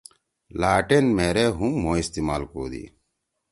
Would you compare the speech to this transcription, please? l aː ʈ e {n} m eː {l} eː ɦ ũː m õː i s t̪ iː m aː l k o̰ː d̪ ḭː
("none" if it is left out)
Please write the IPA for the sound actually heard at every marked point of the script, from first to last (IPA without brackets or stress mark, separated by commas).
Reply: n, ɾ